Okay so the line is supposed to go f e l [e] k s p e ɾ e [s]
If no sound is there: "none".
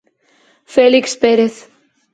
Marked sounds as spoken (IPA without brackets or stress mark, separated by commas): i, θ